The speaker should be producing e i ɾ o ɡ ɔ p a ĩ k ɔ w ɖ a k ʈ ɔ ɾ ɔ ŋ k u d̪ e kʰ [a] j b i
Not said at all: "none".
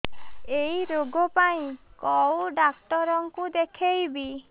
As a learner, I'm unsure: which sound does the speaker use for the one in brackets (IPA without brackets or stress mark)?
e